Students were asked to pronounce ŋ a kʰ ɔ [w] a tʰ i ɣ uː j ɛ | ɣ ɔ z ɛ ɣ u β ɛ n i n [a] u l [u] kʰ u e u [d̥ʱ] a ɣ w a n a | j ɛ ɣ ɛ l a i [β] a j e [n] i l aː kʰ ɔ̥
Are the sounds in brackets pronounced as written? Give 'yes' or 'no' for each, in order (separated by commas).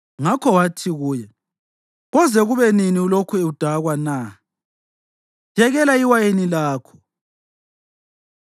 yes, no, no, yes, no, yes